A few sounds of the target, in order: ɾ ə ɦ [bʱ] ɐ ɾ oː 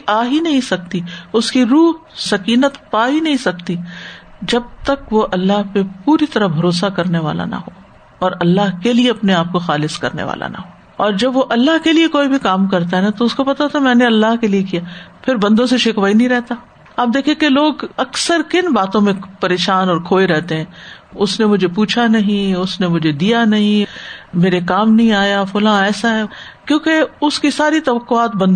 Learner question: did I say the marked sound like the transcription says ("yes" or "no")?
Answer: yes